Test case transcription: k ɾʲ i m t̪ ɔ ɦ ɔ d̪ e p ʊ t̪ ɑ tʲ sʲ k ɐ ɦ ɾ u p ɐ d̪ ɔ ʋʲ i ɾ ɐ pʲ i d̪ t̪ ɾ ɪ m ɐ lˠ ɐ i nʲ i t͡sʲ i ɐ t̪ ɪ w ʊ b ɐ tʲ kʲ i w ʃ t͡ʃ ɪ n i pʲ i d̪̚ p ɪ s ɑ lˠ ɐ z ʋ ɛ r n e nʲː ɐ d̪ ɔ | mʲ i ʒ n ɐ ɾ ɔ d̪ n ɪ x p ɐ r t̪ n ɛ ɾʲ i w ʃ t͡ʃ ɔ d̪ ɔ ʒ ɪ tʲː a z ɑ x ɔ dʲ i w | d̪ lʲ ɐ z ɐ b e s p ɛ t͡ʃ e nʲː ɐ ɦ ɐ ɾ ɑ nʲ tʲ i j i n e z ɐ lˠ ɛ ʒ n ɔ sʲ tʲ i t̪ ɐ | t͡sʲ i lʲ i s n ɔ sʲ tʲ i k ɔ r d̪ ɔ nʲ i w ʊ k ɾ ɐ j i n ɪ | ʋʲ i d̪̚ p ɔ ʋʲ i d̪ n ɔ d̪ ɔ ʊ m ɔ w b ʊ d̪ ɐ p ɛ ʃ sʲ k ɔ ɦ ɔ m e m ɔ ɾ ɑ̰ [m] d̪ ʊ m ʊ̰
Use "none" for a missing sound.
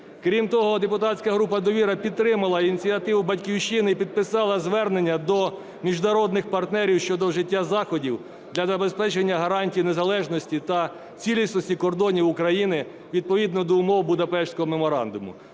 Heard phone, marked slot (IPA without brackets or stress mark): n